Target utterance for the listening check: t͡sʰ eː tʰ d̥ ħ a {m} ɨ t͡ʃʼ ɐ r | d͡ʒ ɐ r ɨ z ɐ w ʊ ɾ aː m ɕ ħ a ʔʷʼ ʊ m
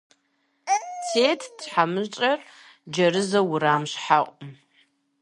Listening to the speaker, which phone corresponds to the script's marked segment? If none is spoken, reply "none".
m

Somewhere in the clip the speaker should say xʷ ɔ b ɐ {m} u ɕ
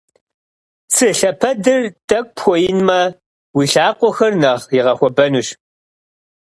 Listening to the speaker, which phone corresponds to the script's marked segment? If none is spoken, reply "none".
n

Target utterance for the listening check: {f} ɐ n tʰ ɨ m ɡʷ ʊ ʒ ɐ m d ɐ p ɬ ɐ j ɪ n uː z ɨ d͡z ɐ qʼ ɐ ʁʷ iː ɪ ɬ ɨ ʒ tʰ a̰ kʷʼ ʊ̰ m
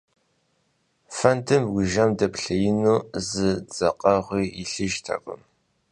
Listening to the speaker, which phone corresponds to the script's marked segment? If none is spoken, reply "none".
f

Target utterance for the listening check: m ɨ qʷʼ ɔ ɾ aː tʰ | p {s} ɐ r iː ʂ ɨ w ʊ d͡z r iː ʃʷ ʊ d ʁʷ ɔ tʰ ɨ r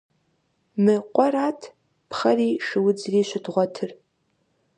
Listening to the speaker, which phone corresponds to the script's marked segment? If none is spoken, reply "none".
χ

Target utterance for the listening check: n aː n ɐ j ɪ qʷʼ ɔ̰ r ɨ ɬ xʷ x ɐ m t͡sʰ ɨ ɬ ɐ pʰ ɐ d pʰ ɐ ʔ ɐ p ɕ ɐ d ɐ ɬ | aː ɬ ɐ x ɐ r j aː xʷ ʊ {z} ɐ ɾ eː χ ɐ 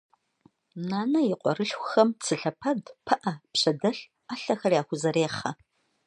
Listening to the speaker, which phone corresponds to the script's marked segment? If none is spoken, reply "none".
z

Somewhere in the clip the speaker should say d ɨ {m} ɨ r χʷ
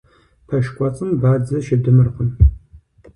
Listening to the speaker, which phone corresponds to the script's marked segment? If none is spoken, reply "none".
m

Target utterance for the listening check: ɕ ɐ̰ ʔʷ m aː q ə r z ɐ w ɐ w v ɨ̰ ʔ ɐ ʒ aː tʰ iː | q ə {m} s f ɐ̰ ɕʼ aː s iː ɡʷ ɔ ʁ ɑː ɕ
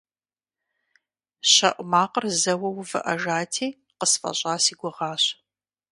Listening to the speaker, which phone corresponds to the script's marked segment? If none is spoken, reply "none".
none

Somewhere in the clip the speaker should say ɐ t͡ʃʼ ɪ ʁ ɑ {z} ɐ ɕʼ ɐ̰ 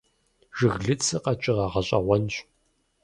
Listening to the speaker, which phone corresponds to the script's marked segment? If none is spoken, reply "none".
ʁ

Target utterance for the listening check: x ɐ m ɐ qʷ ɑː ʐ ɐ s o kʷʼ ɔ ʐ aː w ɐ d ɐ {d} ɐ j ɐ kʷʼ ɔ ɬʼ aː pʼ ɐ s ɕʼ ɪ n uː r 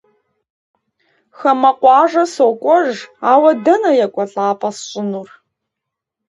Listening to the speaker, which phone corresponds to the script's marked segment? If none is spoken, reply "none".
n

